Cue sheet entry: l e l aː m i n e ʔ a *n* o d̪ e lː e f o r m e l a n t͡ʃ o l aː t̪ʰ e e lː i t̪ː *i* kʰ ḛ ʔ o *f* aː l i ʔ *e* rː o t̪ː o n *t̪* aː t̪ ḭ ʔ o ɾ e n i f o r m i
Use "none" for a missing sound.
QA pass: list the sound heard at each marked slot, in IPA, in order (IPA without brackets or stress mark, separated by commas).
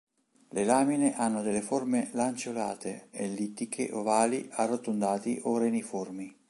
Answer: nː, i, v, a, d̪